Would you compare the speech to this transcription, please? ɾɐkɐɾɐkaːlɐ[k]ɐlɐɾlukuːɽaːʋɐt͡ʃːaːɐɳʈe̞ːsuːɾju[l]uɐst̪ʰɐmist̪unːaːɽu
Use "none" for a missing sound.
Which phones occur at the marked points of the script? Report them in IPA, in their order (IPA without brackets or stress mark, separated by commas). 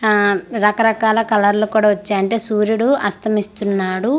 k, ɽ